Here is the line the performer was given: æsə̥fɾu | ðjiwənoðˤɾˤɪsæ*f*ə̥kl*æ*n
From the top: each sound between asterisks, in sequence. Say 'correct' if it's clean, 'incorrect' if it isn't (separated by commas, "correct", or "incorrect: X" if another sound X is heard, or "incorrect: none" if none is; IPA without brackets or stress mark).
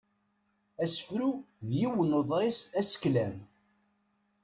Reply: incorrect: s, correct